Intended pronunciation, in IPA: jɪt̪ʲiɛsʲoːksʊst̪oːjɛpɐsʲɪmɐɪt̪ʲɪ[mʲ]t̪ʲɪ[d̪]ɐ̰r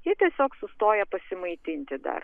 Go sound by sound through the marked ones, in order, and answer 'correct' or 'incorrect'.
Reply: incorrect: nʲ, correct

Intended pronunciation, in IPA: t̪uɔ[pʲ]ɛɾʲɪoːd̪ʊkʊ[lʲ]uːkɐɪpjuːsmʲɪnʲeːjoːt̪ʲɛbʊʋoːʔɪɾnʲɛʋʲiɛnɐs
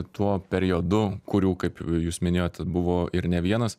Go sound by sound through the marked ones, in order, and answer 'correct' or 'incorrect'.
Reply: correct, incorrect: ɾʲ

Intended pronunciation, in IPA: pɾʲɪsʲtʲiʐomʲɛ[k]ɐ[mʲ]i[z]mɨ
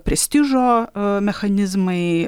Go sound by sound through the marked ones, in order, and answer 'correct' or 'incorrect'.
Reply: incorrect: x, incorrect: nʲ, correct

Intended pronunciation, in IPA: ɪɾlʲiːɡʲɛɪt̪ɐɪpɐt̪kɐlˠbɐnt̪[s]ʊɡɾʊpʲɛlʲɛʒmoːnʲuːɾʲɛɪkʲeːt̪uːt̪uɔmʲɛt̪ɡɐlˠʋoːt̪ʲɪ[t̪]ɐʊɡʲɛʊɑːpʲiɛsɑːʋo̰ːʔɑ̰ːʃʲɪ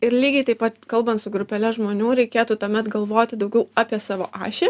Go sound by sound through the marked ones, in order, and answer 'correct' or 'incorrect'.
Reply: correct, incorrect: d̪

